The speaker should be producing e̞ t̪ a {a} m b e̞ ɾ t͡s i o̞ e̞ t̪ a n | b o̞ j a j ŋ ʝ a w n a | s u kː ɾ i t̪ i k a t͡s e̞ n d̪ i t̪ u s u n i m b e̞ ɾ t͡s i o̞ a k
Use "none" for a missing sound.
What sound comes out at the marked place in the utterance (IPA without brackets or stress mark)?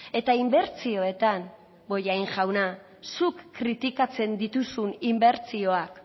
i